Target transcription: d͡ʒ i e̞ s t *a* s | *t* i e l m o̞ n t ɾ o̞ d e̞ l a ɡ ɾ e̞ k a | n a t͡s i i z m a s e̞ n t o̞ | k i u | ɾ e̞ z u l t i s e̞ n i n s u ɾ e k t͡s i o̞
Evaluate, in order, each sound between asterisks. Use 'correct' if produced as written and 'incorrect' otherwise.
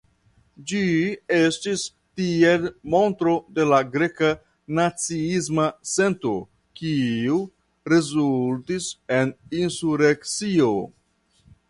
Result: incorrect: i, correct

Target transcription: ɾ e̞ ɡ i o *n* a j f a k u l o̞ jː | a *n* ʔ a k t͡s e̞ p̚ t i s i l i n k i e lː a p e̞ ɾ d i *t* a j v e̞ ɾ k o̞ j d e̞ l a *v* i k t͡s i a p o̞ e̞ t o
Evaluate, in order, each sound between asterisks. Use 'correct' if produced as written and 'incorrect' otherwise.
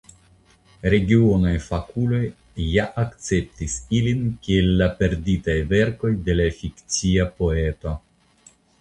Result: correct, incorrect: none, correct, incorrect: f

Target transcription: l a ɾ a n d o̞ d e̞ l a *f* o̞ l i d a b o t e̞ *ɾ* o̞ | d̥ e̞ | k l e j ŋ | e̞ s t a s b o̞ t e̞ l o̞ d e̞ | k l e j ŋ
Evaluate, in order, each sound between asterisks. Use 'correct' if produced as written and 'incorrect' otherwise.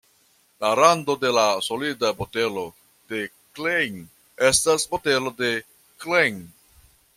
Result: incorrect: s, incorrect: l

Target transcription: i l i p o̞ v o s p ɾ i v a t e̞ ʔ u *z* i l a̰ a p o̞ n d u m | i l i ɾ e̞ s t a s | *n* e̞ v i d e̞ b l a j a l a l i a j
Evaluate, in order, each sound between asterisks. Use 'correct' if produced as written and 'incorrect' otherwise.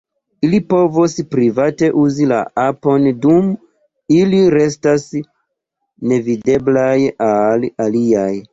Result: correct, correct

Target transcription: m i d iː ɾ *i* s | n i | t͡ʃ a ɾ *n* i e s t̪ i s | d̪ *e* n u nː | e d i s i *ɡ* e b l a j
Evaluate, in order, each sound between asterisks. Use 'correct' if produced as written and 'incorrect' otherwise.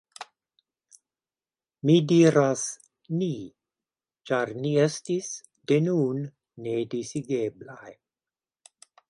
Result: incorrect: a, correct, correct, correct

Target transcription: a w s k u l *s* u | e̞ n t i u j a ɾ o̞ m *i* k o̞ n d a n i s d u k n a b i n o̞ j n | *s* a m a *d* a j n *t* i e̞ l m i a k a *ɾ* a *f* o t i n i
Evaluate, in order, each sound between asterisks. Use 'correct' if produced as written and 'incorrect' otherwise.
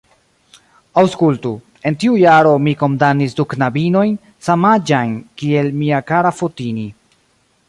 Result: incorrect: t, correct, correct, incorrect: d͡ʒ, incorrect: k, correct, correct

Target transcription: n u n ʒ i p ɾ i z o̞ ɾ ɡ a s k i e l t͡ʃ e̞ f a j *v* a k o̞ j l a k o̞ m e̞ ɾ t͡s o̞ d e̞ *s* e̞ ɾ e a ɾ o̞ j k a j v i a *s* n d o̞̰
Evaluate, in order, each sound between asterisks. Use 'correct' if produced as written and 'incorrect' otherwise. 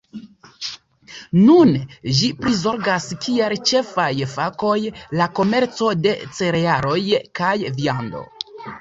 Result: incorrect: f, incorrect: t͡s, incorrect: none

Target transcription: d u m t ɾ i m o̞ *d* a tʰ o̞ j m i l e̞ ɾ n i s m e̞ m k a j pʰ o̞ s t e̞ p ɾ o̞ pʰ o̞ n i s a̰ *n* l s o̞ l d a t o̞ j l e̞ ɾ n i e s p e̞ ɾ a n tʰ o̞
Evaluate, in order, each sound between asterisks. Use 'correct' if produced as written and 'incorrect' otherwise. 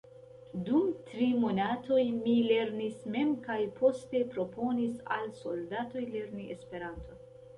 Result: incorrect: n, incorrect: none

